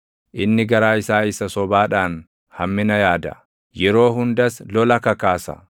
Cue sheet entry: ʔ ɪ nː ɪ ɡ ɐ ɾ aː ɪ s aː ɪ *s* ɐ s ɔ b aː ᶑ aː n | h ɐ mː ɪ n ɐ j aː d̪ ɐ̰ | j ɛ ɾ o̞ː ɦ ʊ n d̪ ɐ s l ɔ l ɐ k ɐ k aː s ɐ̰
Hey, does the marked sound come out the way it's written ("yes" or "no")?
yes